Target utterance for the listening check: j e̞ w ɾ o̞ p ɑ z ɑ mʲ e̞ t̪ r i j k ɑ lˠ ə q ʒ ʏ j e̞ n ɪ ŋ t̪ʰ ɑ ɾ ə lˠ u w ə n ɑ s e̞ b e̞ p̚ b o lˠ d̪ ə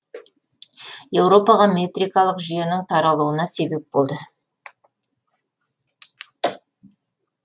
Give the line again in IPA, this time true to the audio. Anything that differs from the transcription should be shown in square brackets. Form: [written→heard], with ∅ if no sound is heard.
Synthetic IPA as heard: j e̞ w ɾ o̞ p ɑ [z→ʁ] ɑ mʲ e̞ t̪ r i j k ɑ lˠ ə q ʒ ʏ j e̞ n ɪ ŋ t̪ʰ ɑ ɾ [ə→ɑ] lˠ u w ə n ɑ s e̞ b e̞ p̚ b o lˠ d̪ ə